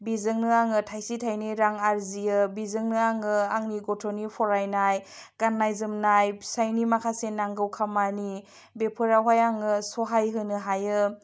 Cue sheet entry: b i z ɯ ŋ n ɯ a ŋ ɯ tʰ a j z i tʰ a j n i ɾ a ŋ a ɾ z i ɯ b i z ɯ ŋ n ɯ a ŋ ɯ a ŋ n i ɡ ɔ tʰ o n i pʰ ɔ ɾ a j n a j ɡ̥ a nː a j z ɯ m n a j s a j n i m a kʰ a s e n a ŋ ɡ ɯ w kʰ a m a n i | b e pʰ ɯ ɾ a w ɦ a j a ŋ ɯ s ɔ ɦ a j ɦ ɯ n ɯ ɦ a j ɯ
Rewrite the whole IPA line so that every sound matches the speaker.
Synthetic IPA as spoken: b i z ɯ ŋ n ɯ a ŋ ɯ tʰ a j s i tʰ a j n i ɾ a ŋ a ɾ z i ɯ b i z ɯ ŋ n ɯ a ŋ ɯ a ŋ n i ɡ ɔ tʰ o n i pʰ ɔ ɾ a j n a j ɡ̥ a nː a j z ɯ m n a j s a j n i m a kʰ a s e n a ŋ ɡ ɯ w kʰ a m a n i | b e pʰ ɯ ɾ a w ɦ a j a ŋ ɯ s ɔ ɦ a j ɦ ɯ n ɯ ɦ a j ɯ